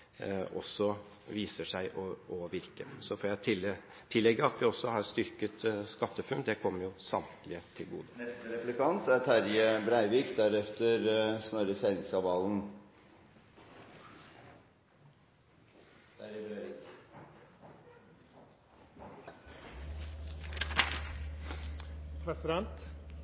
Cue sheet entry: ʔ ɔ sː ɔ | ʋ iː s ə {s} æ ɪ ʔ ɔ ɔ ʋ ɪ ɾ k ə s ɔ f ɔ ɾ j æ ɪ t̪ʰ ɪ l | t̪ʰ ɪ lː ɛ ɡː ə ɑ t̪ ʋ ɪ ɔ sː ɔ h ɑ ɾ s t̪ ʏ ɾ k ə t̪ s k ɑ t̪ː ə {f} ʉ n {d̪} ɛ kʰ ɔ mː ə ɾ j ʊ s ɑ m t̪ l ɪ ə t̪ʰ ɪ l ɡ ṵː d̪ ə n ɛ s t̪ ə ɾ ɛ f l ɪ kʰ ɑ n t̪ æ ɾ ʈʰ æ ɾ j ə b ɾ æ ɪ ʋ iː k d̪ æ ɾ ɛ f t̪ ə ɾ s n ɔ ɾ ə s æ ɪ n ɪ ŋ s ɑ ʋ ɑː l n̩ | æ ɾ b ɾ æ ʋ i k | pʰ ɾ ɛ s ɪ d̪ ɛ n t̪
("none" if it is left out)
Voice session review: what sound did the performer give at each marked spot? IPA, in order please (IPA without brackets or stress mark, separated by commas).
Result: ʂ, f, d̪